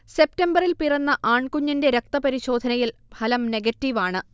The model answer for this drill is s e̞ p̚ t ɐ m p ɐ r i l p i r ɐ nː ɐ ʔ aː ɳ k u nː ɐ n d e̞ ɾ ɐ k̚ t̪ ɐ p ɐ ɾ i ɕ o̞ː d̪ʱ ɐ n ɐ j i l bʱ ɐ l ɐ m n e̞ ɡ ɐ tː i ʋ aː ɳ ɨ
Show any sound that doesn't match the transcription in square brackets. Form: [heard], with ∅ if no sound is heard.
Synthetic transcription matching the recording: s e̞ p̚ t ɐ m [b] ɐ r i l p i r ɐ nː ɐ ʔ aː ɳ k u [ɲː] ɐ n d e̞ ɾ ɐ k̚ t̪ ɐ p ɐ ɾ i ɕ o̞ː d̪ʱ ɐ n ɐ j i l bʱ ɐ l ɐ m n e̞ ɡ ɐ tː i ʋ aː ɳ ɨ